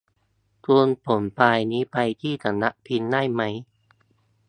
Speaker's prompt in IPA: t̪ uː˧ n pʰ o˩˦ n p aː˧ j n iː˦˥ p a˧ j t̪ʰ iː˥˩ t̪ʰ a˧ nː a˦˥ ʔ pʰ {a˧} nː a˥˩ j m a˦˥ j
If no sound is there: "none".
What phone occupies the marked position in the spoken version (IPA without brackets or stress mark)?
i˧